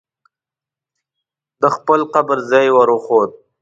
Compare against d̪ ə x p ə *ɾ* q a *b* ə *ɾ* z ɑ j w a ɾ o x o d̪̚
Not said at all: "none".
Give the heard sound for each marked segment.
l, b, ɾ

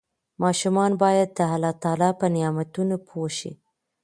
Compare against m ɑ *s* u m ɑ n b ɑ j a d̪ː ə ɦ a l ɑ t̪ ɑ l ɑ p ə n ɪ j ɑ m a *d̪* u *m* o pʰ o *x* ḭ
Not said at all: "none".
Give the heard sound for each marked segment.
ʃ, t̪, n, ʃ

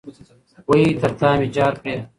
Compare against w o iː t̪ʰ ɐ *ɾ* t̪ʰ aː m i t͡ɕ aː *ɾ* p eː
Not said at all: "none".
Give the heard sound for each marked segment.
ɾ, ɾ

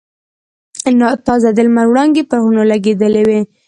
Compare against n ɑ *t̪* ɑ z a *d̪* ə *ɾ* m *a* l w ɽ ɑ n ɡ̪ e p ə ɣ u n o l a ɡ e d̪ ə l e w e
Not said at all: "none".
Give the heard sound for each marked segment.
t̪, d̪, l, a

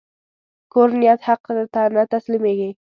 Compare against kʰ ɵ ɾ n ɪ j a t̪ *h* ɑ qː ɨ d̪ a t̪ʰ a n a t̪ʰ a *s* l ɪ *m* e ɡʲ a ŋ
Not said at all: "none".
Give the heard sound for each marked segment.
h, s, m

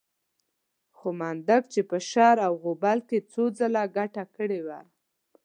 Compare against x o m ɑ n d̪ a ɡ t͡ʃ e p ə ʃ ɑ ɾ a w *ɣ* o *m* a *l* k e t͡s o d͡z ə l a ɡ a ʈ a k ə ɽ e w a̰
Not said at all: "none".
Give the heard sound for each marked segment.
ɣ, b, l

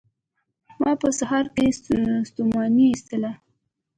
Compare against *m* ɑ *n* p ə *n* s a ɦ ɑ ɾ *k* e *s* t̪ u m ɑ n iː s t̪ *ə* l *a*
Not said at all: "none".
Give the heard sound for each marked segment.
m, none, none, k, s, ə, a

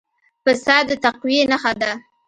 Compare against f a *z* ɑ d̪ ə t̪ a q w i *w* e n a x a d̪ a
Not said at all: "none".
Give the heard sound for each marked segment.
s, none

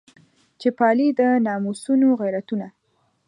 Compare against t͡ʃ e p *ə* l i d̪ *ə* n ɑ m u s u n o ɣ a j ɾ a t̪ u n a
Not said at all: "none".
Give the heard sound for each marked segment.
ɑ, ə

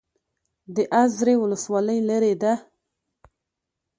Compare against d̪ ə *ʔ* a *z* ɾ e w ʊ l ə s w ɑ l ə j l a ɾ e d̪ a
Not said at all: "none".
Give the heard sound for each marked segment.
ʔ, z

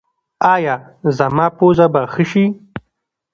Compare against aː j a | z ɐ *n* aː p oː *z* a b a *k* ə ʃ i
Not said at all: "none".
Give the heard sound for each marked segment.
m, z, x

